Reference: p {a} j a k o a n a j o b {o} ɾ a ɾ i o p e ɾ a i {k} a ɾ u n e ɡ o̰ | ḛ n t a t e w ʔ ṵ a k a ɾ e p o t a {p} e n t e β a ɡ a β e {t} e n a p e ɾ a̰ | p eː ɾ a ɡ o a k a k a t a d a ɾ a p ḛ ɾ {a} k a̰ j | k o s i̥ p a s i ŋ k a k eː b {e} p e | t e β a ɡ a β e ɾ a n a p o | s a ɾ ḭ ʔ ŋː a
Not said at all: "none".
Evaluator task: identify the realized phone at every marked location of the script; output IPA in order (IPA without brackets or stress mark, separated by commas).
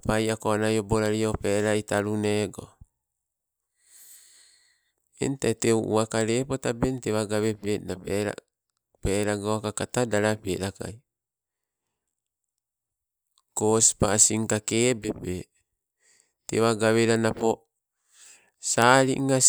a, o, t, b, p, a, e